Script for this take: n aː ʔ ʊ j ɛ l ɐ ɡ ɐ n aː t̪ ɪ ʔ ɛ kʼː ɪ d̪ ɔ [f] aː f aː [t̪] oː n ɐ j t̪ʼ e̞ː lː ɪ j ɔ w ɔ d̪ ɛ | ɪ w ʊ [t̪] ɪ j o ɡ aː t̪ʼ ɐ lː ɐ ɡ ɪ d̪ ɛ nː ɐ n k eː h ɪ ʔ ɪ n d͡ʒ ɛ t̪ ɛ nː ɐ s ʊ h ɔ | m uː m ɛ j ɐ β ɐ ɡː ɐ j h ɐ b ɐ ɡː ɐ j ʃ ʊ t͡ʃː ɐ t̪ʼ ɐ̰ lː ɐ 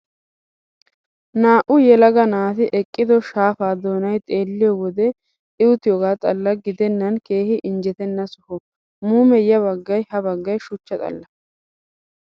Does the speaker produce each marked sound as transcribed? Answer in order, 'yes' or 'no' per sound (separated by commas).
no, no, yes